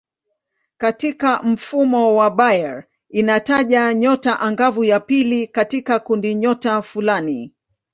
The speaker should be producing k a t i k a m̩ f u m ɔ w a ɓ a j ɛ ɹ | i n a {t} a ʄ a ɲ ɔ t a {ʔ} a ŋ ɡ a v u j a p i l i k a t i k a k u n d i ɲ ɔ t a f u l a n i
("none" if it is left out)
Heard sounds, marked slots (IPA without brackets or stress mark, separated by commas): t, ʔ